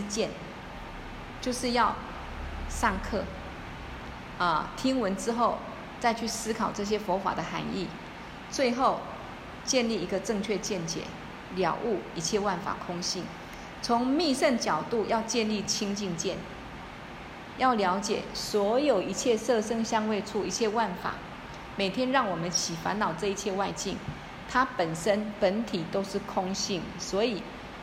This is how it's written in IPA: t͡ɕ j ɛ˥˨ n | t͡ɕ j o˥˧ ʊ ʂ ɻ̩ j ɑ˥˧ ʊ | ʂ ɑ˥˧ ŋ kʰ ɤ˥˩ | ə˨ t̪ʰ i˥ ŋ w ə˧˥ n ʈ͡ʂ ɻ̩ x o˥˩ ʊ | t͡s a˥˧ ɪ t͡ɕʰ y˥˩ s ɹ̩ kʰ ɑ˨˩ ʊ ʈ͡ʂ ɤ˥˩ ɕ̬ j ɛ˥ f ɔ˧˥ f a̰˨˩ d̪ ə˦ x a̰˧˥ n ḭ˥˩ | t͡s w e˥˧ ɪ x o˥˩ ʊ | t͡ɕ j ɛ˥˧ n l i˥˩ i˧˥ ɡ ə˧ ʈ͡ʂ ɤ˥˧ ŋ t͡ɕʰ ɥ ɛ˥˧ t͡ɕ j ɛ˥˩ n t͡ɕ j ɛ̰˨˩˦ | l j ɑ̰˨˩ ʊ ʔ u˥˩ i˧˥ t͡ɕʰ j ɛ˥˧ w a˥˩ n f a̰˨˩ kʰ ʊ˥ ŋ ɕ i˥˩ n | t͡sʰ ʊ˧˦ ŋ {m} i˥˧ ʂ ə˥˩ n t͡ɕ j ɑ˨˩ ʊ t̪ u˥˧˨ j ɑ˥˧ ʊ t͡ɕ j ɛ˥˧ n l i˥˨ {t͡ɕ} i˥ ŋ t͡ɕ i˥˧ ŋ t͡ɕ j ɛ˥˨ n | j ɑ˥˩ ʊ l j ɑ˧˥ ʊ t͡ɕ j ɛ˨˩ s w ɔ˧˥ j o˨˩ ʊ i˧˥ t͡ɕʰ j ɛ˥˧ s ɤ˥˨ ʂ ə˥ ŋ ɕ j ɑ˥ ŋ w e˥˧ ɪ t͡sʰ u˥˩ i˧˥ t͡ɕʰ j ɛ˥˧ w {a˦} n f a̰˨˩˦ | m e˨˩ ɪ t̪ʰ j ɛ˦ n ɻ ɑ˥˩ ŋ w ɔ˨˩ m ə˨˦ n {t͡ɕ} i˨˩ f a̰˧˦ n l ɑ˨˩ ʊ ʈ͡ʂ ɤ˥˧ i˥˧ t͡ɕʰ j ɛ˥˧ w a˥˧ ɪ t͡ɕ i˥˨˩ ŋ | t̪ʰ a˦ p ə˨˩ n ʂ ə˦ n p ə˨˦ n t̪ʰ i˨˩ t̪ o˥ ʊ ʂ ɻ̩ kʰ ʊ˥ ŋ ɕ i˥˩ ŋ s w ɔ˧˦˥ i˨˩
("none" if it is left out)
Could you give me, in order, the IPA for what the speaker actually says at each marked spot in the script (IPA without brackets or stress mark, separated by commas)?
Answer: m, t͡ɕʰ, a˥˩, t͡ɕʰ